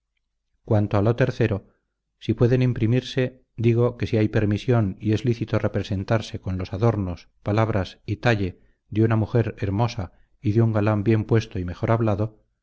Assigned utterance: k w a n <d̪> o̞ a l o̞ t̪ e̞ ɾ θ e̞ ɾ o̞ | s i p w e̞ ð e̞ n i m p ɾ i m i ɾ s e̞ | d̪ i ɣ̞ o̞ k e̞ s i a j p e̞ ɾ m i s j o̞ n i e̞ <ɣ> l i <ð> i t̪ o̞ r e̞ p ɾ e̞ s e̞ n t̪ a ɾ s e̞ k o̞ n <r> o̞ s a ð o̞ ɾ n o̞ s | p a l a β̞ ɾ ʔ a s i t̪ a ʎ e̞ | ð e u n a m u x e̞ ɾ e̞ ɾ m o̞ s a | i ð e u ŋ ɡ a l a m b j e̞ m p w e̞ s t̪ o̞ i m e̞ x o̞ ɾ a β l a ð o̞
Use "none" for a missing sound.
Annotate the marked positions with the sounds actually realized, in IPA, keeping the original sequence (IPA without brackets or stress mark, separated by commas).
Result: t̪, z, θ, l